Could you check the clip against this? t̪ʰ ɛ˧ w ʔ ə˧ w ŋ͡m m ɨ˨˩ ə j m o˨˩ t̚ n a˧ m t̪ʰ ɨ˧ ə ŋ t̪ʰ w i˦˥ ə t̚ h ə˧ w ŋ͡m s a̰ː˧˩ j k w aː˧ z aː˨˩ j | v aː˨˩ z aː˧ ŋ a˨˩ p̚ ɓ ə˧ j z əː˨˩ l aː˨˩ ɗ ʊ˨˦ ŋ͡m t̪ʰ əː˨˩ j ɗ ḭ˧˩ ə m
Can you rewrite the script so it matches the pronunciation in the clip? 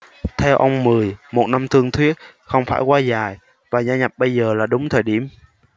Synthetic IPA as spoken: t̪ʰ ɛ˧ w ʔ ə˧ w ŋ͡m m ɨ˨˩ ə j m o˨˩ t̚ n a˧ m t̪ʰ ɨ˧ ə ŋ t̪ʰ w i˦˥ ə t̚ x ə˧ w ŋ͡m f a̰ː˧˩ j k w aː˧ z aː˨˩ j | v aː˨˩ z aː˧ ɲ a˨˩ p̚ ɓ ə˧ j z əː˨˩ l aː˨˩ ɗ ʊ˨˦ ŋ͡m t̪ʰ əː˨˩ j ɗ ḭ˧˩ ə m